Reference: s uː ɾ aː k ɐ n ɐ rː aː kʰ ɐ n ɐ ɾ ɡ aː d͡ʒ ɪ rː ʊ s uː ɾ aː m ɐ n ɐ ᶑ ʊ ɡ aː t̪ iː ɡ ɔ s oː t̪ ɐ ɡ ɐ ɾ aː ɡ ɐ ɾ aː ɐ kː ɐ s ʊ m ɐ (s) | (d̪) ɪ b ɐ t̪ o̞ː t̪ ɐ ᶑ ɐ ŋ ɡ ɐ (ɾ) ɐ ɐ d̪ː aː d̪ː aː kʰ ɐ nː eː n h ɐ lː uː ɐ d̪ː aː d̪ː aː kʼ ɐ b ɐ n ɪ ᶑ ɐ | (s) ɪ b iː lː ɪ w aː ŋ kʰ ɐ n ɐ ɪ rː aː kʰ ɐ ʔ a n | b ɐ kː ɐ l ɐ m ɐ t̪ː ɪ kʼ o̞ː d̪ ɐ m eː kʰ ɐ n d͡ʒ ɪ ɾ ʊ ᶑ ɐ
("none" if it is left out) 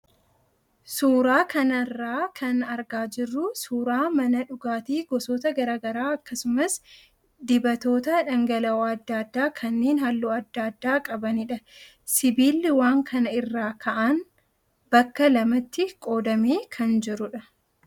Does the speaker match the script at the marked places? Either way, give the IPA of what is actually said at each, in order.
s, d̪, l, s

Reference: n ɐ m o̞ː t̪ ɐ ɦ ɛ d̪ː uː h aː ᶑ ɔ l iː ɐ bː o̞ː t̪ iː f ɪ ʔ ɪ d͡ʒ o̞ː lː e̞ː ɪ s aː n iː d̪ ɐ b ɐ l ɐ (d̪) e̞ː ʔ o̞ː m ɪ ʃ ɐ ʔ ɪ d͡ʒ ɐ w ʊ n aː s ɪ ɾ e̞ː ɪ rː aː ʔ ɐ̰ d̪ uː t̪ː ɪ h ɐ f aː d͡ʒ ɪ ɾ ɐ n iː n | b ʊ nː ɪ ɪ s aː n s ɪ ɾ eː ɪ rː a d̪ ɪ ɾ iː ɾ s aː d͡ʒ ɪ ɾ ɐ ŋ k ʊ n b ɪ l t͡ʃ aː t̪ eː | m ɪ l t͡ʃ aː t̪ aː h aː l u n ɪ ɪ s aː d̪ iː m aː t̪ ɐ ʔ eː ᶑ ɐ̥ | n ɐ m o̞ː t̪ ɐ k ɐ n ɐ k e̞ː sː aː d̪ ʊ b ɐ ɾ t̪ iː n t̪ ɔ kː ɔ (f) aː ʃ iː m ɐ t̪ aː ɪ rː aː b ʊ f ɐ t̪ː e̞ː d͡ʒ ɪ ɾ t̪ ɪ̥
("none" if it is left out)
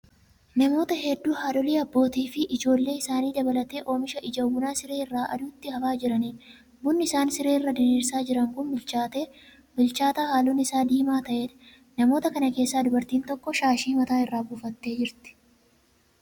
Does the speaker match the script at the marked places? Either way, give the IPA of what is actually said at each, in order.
t̪, ʃ

